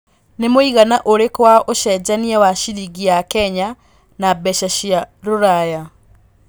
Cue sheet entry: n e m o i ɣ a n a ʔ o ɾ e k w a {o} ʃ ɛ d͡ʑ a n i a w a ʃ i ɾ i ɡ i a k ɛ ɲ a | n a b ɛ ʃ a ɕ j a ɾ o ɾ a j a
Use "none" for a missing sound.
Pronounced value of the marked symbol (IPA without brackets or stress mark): o